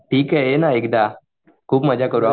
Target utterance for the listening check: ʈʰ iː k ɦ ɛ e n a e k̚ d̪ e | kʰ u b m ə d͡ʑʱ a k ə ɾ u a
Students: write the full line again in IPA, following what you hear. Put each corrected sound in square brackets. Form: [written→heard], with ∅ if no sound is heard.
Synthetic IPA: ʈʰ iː k ɦ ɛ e n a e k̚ d̪ [e→a] | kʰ [u→uː] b m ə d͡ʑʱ a k ə ɾ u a